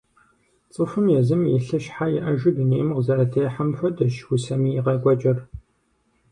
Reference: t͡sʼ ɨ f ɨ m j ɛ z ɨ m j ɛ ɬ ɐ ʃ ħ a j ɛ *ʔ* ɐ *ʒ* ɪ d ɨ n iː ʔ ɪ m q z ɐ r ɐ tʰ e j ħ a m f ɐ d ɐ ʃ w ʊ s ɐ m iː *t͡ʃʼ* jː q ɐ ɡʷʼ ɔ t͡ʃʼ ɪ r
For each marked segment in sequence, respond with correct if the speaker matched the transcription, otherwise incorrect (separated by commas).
correct, correct, incorrect